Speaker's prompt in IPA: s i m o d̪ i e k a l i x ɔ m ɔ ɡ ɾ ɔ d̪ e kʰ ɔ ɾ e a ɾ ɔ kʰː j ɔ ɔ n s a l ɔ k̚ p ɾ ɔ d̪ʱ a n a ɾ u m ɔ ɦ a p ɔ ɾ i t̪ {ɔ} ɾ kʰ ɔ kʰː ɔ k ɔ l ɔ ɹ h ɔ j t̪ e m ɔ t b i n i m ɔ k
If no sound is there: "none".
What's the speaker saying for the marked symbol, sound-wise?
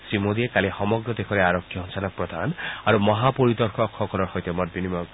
ɔ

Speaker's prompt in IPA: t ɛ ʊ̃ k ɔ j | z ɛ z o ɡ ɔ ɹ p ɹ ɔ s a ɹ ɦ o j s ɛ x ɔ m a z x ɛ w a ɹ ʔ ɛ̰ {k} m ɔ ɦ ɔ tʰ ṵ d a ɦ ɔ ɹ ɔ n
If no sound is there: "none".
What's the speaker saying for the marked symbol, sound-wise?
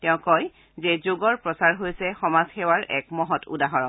k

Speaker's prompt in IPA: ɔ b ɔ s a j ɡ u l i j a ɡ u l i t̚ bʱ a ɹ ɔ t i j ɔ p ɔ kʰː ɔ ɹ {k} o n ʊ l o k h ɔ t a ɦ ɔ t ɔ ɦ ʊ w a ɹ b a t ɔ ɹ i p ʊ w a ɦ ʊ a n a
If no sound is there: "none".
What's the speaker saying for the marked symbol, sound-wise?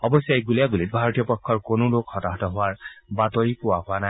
k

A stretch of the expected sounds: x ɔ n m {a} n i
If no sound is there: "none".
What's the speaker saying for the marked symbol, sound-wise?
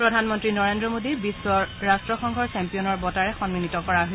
i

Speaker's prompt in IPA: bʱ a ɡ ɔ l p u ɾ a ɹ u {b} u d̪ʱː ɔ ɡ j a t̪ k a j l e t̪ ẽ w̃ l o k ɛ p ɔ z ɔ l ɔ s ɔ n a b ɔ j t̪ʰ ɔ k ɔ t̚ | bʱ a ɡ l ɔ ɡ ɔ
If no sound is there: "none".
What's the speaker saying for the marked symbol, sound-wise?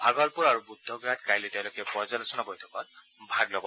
b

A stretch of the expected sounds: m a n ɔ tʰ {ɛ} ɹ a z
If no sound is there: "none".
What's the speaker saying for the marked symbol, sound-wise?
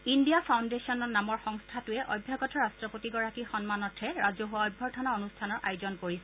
ɛ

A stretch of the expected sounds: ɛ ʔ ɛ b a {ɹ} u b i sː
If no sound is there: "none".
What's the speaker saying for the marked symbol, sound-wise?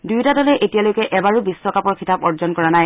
ɹ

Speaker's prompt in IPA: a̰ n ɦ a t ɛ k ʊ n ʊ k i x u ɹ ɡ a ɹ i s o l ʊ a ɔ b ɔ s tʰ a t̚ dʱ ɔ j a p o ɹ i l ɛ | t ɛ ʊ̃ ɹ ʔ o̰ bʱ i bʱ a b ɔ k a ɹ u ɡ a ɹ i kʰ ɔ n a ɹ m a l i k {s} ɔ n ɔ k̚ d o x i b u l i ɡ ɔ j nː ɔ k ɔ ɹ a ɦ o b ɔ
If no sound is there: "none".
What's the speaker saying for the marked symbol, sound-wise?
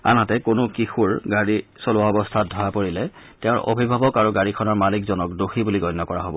z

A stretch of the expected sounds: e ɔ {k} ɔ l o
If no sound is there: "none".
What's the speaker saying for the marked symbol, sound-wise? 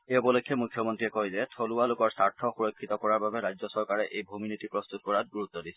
p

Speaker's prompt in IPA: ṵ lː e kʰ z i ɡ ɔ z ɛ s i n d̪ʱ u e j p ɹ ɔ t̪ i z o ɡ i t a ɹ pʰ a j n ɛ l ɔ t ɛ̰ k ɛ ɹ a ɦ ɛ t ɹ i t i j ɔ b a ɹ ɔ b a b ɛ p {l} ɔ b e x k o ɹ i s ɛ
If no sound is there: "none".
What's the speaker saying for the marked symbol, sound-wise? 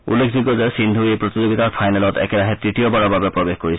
ɹ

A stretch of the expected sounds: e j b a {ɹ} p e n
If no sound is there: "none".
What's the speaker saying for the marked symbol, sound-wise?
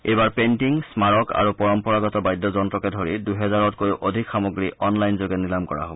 ɹ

